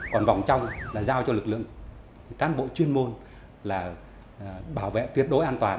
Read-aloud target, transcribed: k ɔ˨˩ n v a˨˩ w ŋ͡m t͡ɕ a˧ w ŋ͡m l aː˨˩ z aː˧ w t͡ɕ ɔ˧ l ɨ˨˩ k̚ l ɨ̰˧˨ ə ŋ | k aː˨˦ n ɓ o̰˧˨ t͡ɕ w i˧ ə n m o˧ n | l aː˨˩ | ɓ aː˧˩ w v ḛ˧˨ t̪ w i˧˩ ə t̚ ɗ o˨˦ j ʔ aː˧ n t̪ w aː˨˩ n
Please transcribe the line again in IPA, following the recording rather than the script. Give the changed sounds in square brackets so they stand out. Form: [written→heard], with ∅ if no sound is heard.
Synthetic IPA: k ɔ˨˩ n v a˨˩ w ŋ͡m t͡ɕ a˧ w ŋ͡m l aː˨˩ z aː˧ w t͡ɕ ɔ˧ l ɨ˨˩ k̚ l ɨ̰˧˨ ə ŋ | k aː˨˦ n ɓ o̰˧˨ t͡ɕ w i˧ ə n m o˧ n | l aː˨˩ | ɓ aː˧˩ w v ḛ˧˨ t̪ w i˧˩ ə t̚ ɗ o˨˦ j ʔ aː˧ n t̪ w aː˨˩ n

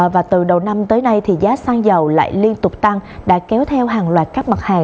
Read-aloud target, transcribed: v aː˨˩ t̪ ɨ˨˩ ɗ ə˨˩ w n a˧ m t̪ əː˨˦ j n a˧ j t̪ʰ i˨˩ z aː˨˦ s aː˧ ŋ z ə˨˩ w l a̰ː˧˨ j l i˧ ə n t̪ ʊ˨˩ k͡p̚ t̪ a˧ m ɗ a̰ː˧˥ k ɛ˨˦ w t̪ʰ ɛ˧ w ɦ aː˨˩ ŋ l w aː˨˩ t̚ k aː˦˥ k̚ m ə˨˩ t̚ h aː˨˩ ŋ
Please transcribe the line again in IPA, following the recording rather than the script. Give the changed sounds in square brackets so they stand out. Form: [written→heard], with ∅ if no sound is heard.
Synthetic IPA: v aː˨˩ t̪ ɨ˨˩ ɗ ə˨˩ w n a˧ m t̪ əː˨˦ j n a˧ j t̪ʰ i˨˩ z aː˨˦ s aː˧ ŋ z ə˨˩ w l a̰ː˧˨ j l i˧ ə n t̪ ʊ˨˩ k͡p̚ t̪ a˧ [m→ŋ] ɗ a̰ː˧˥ k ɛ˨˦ w t̪ʰ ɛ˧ w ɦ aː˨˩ ŋ l w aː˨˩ t̚ k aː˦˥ k̚ m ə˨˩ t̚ h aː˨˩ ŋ

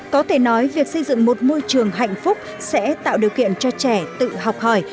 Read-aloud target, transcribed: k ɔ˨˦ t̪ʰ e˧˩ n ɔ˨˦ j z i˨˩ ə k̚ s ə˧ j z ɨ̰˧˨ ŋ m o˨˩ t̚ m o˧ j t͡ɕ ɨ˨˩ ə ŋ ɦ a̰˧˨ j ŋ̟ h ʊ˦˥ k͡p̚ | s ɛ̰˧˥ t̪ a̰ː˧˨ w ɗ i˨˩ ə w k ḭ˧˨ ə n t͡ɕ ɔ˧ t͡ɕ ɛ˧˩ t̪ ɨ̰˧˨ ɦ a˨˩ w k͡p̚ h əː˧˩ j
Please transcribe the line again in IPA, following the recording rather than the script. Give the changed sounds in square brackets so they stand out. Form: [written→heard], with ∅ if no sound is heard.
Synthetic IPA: k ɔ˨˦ t̪ʰ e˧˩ n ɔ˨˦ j [z→v] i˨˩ ə k̚ s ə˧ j z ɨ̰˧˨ ŋ m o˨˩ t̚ m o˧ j t͡ɕ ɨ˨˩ ə ŋ ɦ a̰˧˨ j ŋ̟ [h→f] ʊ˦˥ k͡p̚ | s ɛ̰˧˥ t̪ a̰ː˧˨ w ɗ i˨˩ ə w k ḭ˧˨ ə n t͡ɕ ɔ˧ t͡ɕ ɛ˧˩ t̪ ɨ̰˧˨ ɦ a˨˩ w k͡p̚ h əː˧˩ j

